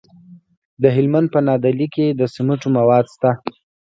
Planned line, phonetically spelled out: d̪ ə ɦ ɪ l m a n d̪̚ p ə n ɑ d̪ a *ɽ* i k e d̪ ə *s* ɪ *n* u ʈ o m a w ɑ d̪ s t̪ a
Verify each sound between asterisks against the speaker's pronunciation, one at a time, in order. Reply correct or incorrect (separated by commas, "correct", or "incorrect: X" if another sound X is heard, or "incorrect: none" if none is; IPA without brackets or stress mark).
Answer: incorrect: l, correct, incorrect: m